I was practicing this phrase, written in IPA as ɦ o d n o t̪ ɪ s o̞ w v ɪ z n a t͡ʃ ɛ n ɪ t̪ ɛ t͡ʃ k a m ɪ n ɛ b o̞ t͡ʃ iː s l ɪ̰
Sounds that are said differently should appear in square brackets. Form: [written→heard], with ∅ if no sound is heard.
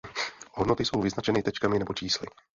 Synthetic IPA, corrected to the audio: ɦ o d n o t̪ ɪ s o̞ w v ɪ z n a t͡ʃ ɛ n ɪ t̪ ɛ t͡ʃ k a m ɪ n ɛ b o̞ t͡ʃ iː s l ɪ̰